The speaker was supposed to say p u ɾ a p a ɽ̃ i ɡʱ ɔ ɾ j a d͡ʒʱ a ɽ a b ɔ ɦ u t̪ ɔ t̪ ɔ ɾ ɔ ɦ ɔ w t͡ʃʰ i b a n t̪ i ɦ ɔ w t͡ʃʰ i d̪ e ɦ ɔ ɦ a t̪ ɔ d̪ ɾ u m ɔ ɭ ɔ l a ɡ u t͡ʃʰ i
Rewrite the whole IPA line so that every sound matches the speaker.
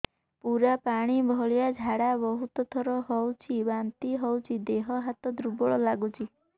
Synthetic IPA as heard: p u ɾ a p a ɽ̃ i bʱ ɔ ɭ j a d͡ʒʱ a ɽ a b ɔ ɦ u t̪ ɔ t̪ʰ ɔ ɾ ɔ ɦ ɔ w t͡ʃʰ i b a n t̪ i ɦ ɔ w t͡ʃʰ i d̪ e ɦ ɔ ɦ a t̪ ɔ d̪ ɾ u b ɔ ɭ ɔ l a ɡ u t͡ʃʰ i